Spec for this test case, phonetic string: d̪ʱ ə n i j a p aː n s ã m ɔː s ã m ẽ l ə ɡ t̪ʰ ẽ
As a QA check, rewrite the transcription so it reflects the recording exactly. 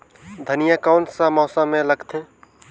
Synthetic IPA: d̪ʱ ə n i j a k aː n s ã m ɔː s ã m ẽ l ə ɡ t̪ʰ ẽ